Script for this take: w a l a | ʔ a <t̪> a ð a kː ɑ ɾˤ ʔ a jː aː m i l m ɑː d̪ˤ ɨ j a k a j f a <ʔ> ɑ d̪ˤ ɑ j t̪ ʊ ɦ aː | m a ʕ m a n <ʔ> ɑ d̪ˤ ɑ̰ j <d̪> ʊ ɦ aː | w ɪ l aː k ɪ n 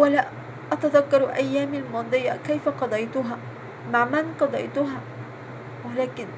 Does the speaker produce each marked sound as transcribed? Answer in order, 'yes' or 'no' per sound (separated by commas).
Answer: yes, no, no, no